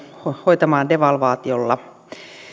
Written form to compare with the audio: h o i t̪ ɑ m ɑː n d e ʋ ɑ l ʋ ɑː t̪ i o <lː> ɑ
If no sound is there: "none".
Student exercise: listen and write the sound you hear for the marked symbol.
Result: lː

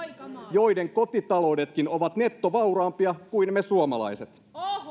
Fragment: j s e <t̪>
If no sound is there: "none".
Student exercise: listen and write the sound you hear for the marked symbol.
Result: t̪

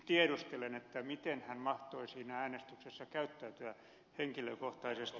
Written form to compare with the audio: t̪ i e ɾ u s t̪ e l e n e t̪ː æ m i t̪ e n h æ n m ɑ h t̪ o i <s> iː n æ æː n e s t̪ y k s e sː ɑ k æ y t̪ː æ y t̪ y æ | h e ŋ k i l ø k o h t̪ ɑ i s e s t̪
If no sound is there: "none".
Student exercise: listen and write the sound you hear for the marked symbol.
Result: s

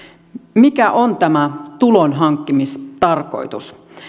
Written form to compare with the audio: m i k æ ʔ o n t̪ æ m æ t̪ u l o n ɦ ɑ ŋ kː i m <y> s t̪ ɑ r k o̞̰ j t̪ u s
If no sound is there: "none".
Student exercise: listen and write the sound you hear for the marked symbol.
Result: i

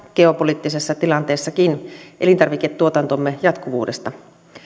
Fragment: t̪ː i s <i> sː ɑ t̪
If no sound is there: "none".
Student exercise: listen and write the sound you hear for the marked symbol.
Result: e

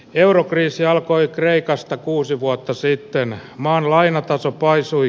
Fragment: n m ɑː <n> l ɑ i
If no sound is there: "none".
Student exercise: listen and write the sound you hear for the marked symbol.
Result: n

